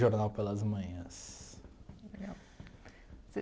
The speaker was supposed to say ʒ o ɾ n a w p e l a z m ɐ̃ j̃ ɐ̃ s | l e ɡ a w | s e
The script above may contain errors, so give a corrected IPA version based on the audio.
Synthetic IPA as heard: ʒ o ɾ n a w p e l ɐ z m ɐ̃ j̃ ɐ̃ s | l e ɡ a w | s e